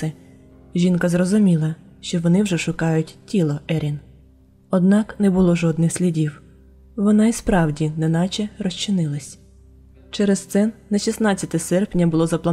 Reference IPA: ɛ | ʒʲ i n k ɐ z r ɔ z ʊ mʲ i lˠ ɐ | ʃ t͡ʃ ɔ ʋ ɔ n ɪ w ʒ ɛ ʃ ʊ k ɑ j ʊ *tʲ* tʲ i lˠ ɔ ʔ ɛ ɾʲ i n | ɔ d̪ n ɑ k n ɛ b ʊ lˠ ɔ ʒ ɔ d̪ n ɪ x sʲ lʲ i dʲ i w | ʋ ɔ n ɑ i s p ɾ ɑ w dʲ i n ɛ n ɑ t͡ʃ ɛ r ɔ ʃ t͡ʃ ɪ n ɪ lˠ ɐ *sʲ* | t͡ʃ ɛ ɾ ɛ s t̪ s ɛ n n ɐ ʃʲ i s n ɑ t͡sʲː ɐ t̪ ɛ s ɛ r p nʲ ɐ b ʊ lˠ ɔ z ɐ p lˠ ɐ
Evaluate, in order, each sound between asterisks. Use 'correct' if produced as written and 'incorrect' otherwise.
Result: correct, correct

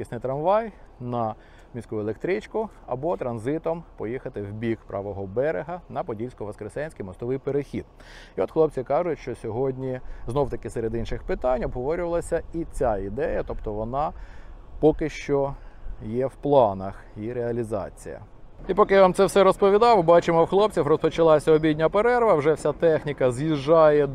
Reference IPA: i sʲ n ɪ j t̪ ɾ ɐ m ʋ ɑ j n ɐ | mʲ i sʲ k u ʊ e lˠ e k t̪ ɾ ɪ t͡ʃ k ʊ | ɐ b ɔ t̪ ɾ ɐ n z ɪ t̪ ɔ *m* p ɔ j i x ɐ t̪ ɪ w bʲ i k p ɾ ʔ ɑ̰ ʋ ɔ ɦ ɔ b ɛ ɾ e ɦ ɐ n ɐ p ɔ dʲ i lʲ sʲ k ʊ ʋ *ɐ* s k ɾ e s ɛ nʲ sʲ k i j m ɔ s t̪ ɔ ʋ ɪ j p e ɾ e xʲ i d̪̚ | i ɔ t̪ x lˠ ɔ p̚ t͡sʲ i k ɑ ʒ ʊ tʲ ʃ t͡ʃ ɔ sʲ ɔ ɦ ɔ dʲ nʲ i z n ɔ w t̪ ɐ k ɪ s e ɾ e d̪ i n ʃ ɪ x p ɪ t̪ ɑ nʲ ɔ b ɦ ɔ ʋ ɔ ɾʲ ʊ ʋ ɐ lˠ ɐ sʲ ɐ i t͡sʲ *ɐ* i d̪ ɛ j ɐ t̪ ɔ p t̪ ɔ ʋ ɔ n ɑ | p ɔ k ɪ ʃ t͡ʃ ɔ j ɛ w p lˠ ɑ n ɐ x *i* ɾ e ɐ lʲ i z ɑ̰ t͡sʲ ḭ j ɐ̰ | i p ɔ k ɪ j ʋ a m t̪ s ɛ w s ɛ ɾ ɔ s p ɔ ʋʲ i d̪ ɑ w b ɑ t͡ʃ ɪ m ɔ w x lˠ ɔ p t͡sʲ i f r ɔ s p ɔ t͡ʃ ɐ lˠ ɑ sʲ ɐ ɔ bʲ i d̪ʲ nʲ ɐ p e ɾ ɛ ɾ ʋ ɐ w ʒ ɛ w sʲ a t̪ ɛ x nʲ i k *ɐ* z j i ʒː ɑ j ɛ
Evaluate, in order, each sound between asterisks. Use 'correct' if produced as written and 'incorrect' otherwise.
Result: correct, correct, incorrect, correct, correct

